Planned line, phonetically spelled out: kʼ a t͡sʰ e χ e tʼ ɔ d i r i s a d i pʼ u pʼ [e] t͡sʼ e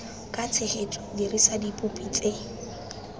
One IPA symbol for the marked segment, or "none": i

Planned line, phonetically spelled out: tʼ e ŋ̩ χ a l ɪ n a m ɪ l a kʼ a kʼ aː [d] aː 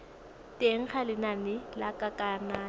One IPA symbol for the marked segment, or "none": n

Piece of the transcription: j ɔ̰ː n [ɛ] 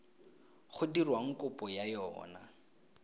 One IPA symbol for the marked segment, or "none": a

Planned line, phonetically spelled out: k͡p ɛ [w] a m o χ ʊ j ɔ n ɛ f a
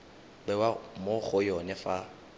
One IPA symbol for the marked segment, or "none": w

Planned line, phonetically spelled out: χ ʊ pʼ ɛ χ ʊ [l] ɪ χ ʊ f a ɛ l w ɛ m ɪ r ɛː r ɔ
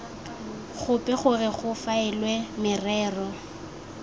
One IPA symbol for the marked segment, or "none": r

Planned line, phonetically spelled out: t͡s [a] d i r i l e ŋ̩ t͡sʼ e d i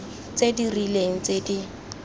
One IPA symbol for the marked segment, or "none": e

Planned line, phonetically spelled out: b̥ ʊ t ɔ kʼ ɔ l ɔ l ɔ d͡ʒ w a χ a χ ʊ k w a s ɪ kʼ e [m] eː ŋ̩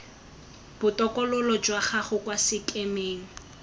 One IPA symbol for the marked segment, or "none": m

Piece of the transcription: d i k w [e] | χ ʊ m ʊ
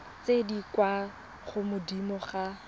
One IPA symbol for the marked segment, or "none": a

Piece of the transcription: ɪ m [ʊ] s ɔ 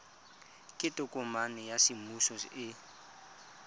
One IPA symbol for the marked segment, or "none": u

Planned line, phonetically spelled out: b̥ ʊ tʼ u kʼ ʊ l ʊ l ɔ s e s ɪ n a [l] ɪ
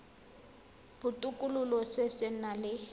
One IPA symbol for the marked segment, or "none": l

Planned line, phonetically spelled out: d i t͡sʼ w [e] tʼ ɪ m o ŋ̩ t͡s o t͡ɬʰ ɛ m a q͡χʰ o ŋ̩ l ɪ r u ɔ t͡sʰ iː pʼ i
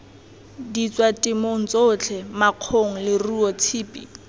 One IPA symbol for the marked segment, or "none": a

